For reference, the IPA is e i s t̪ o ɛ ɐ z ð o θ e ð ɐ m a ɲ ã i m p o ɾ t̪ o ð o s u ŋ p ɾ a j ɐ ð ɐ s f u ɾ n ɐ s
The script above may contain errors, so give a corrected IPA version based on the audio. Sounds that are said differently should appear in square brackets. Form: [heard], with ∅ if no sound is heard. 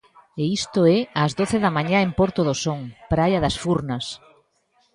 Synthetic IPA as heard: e i s t̪ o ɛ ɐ z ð o θ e ð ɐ m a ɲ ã [e] m p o ɾ t̪ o ð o s [o] ŋ p ɾ a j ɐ ð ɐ s f u ɾ n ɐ s